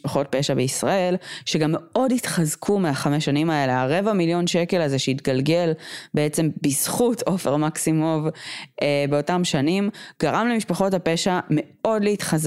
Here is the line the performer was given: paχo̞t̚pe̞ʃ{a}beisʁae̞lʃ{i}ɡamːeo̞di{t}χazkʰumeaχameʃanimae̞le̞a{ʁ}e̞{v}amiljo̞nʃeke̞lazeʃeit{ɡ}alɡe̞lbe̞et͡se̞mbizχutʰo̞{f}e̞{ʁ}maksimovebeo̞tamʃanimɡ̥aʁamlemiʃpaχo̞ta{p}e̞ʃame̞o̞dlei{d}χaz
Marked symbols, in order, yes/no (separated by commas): yes, no, yes, yes, yes, yes, yes, yes, yes, no